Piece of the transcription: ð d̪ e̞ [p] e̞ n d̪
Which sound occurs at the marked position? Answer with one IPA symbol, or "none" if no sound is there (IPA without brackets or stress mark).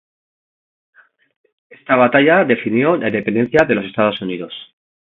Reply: p